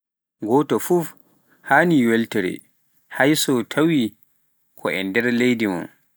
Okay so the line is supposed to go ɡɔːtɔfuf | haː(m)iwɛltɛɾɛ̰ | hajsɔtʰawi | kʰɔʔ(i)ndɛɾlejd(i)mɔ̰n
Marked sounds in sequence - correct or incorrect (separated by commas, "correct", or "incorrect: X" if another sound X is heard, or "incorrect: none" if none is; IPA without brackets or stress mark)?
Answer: incorrect: n, incorrect: ɛ, correct